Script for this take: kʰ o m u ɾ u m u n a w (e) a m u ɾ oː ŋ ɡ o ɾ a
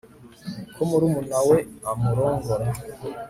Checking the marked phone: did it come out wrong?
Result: no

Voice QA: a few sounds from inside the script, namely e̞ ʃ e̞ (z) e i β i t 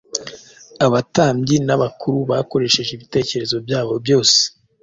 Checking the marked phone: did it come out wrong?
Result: yes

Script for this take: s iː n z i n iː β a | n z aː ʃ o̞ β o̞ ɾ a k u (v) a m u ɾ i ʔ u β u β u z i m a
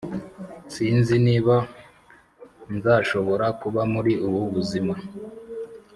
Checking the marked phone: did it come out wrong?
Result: yes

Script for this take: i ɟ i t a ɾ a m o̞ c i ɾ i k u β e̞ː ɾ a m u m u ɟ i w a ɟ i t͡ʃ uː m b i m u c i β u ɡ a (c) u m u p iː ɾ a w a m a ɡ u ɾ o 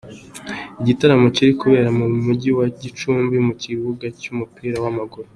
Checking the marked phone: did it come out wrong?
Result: no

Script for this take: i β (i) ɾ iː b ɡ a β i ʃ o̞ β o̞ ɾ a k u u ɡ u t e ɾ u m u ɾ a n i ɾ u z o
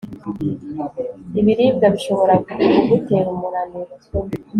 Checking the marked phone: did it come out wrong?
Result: no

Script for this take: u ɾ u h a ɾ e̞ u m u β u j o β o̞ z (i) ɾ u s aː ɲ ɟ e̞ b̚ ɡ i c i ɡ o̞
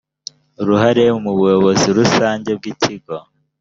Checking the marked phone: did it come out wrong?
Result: no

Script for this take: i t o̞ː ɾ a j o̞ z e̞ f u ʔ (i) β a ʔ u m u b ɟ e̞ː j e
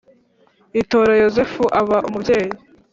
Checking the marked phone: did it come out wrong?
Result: yes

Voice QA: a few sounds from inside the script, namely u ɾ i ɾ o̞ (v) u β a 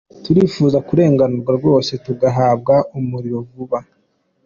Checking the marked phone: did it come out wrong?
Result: no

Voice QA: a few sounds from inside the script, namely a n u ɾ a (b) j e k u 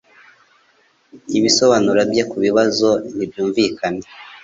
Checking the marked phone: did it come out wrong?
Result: no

